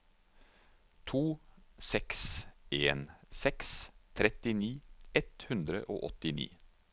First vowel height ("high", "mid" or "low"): high